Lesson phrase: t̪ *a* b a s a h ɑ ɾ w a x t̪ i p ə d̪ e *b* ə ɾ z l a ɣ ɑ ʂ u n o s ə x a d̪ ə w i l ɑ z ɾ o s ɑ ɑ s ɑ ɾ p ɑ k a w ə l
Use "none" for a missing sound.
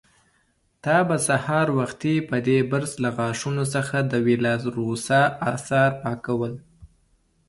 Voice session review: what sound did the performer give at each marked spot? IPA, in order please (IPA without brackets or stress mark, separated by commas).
ɑ, b